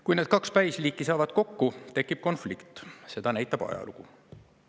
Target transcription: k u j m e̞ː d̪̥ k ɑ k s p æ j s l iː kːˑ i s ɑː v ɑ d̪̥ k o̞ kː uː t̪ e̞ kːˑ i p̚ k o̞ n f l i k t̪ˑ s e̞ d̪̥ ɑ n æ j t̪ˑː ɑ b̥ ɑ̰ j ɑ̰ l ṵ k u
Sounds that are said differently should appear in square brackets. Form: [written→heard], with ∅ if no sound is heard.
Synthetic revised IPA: k u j [m→n] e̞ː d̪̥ k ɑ k s p æ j s l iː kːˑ i s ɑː v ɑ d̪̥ k o̞ kː [uː→u] t̪ e̞ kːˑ i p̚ k o̞ n f l i k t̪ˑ s e̞ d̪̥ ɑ n æ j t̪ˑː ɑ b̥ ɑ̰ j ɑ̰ l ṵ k u